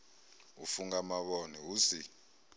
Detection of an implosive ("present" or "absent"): present